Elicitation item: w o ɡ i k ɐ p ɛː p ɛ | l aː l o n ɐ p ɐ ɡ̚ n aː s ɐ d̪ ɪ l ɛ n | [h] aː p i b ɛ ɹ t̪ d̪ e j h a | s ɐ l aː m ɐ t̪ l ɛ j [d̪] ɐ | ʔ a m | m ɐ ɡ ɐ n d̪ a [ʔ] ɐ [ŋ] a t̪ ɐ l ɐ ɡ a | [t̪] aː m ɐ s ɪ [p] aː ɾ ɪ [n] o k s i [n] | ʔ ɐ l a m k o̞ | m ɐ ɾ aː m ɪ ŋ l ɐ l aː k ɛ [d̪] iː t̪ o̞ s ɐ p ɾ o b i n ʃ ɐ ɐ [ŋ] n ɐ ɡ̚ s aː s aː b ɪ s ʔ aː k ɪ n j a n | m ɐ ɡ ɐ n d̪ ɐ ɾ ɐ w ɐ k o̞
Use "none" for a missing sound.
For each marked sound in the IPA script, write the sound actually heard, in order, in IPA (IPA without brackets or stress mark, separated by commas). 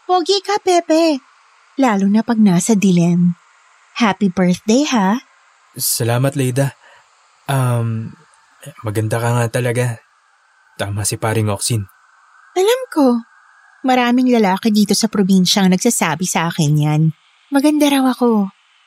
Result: h, d̪, k, ŋ, t̪, p, ŋ, n, d̪, ŋ